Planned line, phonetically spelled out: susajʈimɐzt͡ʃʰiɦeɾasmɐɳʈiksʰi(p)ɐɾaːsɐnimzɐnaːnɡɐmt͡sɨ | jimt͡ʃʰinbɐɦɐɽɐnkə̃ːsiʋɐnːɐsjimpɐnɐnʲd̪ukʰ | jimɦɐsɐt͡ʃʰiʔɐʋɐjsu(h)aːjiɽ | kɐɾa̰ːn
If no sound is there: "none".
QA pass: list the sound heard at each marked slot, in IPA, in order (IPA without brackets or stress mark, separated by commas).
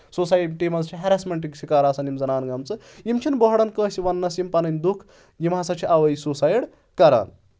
k, s